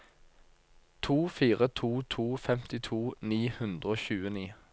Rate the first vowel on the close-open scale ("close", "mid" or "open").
close